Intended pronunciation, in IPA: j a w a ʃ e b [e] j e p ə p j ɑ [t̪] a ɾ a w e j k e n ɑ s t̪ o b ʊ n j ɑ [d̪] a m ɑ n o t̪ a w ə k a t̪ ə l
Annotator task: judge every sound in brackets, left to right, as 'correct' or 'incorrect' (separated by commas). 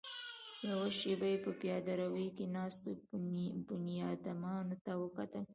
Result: incorrect, incorrect, correct